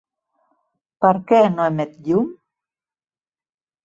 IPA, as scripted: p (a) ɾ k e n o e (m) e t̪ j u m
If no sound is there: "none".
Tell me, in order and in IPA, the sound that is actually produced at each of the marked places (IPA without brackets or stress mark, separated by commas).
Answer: a, m